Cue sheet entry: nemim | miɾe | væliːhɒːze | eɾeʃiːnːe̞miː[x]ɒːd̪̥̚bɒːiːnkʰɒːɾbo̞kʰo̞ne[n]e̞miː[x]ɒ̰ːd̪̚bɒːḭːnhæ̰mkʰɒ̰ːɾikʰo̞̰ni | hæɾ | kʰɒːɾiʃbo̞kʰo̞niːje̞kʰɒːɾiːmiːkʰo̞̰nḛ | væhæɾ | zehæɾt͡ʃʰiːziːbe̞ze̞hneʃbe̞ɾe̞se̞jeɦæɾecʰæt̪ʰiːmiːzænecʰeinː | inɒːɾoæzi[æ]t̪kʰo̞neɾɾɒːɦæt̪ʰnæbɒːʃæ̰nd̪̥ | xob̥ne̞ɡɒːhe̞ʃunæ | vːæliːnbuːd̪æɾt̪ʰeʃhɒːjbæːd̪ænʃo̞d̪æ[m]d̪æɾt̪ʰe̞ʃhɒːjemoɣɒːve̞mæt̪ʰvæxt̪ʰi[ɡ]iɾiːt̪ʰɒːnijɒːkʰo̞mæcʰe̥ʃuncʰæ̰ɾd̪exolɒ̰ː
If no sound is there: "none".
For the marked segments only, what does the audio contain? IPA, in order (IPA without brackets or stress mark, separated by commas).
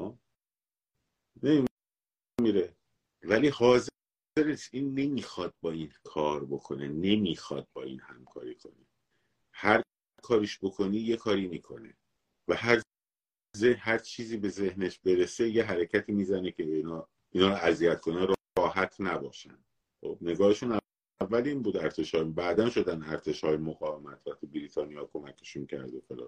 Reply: x, n, x, æ, n, b